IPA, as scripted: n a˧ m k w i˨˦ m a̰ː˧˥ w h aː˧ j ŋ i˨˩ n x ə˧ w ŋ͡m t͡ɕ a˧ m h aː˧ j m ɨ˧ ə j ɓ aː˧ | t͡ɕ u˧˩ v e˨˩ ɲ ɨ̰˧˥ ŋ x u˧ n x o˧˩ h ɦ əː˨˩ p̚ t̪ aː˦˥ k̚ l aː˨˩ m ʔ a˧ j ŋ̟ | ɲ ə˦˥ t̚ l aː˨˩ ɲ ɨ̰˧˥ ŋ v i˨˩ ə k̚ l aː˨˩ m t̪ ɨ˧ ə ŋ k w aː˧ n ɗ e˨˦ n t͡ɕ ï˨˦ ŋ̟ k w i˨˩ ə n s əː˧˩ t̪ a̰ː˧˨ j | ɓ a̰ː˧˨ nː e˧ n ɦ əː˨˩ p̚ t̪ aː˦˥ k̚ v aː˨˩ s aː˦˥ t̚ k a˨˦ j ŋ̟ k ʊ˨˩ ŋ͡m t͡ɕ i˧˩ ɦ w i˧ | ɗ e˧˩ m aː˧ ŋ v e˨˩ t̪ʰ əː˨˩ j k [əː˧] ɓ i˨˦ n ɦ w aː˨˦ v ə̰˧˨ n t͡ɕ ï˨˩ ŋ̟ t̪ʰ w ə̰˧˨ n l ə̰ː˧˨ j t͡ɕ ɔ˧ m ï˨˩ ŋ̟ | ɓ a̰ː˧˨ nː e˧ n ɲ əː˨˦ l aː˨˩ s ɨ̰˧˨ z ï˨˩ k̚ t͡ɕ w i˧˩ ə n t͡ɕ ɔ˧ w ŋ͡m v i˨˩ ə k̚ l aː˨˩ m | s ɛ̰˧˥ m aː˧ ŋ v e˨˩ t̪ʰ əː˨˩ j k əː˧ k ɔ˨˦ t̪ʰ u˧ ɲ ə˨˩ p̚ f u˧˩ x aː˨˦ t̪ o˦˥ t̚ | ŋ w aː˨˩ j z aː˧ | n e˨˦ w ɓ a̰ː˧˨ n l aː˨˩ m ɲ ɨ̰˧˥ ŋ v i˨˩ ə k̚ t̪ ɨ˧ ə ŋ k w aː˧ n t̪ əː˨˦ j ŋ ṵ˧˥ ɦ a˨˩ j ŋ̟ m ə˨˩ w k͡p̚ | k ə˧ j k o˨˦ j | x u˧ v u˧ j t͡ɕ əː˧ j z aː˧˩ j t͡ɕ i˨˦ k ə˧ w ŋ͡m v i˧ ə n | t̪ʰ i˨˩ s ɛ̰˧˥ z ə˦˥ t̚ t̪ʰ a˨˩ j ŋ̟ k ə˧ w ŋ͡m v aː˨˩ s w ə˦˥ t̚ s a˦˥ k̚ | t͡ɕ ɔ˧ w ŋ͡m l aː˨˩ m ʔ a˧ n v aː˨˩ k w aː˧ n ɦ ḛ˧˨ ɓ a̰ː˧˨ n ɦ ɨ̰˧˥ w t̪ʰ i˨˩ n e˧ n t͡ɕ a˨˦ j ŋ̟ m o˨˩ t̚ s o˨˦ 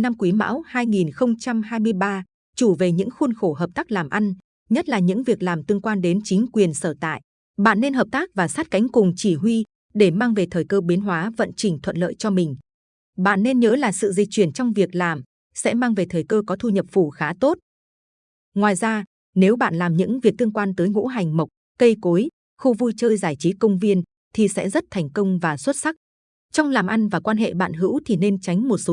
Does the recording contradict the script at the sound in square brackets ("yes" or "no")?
no